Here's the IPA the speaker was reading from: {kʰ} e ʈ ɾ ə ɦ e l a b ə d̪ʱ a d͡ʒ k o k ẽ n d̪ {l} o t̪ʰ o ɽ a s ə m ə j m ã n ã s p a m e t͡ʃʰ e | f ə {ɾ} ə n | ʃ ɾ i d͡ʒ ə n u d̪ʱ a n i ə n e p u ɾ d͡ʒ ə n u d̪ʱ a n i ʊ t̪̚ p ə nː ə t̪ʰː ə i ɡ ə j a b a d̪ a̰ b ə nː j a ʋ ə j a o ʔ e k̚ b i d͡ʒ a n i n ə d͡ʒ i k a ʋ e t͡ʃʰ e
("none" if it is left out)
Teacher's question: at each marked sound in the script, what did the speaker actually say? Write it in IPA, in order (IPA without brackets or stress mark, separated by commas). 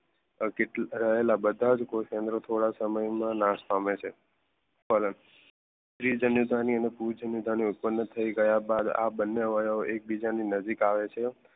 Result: k, ɾ, l